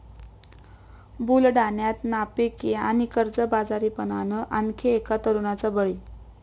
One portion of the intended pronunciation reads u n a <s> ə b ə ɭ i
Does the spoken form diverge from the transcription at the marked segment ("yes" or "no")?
yes